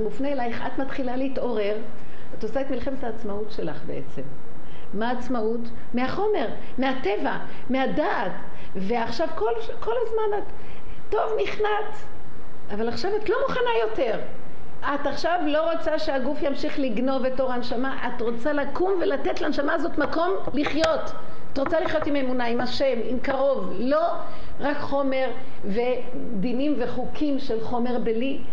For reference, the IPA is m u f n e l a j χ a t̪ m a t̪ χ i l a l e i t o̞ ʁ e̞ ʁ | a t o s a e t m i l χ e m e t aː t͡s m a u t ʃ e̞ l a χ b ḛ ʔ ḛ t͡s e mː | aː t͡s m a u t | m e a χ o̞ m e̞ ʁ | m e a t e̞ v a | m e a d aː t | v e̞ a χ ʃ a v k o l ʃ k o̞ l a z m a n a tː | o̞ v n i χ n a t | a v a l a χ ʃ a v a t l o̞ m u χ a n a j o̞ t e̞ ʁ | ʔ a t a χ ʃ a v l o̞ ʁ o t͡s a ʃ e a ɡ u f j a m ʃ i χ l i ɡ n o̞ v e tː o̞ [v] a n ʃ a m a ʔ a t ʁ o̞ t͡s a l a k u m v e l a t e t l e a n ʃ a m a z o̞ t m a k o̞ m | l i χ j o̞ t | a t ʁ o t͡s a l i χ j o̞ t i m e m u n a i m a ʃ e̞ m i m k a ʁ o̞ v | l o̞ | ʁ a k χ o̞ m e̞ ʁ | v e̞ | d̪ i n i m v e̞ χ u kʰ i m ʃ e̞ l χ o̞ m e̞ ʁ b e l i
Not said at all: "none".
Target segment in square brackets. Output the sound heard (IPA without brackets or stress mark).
ʁ